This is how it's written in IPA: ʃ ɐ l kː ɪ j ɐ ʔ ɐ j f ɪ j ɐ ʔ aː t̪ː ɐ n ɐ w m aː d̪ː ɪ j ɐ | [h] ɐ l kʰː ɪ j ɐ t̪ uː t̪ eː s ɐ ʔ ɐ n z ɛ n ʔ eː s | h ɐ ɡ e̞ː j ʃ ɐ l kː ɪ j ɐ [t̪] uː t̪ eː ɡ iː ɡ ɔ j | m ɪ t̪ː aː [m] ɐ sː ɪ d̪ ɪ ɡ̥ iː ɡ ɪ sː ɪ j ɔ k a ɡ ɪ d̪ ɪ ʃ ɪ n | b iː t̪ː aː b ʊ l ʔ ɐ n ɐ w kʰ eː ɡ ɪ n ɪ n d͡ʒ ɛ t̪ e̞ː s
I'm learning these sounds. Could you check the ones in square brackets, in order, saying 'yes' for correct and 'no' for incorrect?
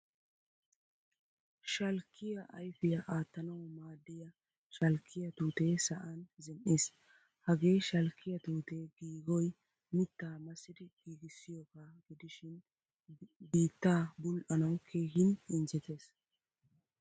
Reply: no, yes, yes

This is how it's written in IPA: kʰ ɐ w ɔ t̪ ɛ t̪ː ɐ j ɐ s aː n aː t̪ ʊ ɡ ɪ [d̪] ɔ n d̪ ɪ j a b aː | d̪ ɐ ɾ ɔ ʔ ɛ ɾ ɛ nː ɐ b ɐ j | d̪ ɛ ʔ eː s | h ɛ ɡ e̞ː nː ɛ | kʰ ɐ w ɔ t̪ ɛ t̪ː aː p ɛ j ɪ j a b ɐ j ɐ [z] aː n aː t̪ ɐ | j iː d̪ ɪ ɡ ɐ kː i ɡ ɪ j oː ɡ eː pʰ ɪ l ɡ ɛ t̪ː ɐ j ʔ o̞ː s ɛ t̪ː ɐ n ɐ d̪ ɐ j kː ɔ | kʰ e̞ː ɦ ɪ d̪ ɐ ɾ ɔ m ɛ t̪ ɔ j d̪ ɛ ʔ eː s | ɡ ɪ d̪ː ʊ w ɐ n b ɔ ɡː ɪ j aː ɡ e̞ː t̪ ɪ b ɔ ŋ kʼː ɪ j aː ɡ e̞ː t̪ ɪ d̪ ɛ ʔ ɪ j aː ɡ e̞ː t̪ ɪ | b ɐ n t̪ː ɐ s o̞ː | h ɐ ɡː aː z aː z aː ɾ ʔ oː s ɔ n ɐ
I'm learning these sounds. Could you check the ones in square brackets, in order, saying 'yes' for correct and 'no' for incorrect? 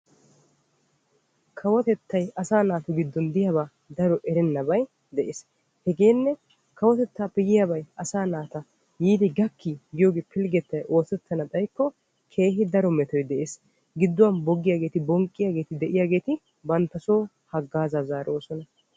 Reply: no, no

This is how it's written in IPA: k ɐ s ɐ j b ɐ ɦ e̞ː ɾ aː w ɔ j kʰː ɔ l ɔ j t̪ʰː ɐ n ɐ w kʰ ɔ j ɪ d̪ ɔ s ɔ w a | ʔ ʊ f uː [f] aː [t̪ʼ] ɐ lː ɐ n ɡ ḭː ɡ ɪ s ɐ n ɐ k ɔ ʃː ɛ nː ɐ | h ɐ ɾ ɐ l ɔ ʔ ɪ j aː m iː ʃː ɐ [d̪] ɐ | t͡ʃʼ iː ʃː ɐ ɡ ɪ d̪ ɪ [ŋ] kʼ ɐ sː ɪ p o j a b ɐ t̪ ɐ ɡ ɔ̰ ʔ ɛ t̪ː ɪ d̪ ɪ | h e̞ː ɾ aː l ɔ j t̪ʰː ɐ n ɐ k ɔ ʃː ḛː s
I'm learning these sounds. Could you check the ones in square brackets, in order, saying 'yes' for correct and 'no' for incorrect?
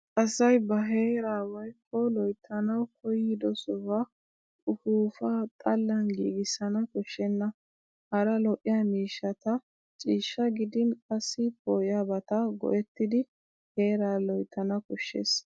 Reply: yes, yes, no, no

